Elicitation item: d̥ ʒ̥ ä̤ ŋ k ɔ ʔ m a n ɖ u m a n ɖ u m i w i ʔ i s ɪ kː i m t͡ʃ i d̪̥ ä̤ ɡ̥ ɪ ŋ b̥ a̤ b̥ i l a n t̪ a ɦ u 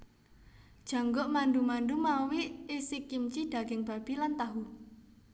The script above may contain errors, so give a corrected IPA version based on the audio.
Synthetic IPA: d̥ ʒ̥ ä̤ ŋ ɡ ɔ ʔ m a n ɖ u m a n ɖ u m a w i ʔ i s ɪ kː i m t͡ʃ i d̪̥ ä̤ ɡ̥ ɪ ŋ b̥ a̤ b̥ i l a n t̪ a ɦ u